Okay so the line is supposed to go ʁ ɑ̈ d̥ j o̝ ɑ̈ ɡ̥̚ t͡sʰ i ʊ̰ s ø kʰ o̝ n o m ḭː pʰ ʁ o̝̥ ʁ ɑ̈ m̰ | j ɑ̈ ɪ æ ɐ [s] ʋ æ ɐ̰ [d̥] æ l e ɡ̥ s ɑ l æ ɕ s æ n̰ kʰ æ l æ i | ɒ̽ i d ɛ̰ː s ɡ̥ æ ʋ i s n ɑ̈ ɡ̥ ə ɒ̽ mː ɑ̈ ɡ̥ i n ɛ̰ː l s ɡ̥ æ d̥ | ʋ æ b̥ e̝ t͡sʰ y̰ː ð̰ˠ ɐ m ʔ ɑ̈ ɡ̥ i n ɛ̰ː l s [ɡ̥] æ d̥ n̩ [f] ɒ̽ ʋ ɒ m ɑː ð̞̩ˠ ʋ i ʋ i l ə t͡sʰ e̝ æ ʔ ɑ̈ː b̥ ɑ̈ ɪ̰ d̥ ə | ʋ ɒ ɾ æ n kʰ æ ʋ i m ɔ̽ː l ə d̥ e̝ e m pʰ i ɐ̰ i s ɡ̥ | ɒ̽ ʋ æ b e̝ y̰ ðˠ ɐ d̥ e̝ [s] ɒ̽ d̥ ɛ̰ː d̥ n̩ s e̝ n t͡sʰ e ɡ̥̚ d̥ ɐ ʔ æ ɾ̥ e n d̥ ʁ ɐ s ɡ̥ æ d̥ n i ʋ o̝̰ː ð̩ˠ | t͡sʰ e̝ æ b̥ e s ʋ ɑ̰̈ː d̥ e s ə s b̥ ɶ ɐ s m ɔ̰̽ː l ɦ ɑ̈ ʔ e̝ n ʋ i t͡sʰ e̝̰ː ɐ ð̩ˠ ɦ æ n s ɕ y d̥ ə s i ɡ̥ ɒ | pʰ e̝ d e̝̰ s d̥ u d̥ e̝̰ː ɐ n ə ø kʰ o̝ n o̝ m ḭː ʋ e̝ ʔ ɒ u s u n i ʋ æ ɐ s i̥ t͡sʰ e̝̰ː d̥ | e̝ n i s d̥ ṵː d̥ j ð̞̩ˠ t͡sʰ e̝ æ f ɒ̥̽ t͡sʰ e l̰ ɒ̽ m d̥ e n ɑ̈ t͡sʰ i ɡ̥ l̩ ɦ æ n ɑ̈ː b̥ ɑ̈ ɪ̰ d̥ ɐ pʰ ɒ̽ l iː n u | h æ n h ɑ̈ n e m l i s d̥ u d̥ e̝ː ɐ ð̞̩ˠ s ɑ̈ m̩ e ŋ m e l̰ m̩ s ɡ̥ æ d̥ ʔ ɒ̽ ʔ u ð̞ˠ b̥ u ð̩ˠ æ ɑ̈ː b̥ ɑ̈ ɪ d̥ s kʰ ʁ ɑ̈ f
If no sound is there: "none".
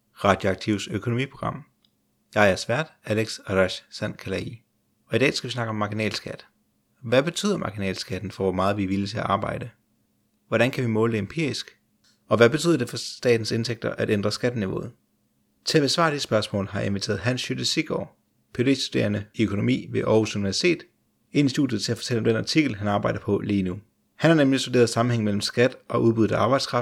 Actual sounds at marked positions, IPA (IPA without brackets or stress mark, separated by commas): s, d̥, ɡ̥, f, f